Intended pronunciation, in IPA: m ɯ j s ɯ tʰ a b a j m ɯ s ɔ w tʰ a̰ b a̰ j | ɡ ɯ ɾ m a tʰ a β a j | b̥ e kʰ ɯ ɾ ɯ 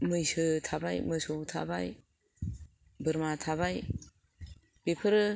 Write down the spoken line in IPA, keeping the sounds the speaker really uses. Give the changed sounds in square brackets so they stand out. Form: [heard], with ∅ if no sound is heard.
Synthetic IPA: m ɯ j s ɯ tʰ a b a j m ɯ s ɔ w tʰ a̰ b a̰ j | [b] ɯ ɾ m a tʰ a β a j | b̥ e [pʰ] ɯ ɾ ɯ